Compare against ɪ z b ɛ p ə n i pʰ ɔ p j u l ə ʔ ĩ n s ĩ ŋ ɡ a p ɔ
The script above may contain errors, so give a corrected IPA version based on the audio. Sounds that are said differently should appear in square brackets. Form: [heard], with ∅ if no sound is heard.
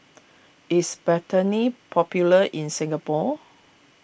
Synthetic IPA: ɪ [s] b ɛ [t] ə n i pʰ ɔ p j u l ə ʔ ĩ n s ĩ ŋ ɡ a p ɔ